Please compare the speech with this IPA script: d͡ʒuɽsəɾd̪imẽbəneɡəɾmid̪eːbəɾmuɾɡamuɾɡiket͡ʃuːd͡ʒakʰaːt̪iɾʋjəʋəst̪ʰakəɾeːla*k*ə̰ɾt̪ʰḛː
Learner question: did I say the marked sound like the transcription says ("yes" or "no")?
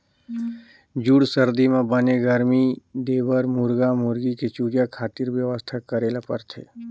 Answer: no